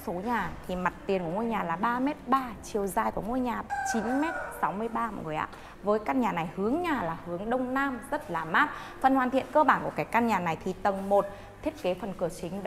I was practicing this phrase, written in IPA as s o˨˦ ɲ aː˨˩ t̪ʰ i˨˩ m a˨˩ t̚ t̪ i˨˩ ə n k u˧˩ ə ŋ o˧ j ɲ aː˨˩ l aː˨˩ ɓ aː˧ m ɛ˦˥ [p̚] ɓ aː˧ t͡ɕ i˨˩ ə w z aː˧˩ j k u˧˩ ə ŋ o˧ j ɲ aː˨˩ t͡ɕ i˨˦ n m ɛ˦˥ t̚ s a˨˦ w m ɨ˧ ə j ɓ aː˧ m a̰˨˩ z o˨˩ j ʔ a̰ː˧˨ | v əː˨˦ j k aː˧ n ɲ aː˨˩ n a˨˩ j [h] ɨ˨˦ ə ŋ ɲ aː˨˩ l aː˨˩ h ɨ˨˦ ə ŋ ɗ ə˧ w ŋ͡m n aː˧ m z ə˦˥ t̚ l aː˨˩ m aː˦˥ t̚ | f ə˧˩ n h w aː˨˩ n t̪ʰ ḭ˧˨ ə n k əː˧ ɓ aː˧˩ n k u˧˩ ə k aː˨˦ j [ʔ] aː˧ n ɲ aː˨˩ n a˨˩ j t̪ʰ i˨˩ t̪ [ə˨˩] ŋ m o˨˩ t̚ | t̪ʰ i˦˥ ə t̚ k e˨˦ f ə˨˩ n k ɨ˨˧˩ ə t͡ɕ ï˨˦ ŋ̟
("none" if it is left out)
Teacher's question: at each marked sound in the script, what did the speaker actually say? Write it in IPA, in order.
t̚, h, k, ə˨˩

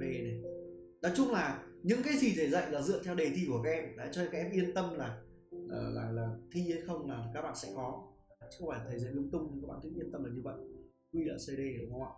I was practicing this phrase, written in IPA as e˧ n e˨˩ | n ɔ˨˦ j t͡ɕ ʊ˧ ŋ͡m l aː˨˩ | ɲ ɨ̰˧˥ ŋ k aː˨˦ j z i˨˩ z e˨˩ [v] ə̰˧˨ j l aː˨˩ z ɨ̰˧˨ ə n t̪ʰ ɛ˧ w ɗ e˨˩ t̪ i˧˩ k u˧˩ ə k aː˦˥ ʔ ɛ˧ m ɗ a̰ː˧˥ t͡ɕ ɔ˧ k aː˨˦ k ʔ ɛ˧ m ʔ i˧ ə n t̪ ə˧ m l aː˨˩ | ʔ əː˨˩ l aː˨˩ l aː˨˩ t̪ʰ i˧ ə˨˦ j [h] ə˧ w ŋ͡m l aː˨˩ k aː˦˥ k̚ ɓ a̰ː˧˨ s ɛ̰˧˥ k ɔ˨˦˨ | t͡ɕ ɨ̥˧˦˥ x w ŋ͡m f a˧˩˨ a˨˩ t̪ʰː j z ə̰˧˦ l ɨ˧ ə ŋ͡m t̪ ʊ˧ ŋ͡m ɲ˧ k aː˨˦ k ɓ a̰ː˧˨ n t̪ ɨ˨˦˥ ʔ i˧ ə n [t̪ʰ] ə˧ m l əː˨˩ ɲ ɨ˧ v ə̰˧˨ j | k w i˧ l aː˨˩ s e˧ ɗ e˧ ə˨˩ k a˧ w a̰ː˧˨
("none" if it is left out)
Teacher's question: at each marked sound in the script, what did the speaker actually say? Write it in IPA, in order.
z, x, t̪

